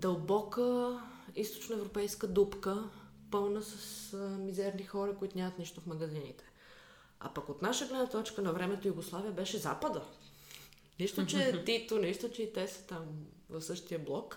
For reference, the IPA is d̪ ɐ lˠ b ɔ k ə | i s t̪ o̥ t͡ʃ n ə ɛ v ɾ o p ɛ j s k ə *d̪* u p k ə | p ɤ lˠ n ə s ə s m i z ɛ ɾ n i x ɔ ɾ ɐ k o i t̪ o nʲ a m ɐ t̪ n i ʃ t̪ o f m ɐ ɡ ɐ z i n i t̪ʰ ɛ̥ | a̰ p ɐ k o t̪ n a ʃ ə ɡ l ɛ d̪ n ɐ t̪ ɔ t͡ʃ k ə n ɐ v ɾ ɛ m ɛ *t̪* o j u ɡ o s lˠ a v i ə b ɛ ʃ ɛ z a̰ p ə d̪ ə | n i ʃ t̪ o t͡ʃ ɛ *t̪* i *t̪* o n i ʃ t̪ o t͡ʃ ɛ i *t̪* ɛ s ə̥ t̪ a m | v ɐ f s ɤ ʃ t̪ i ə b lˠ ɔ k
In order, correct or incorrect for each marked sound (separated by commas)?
correct, correct, correct, correct, correct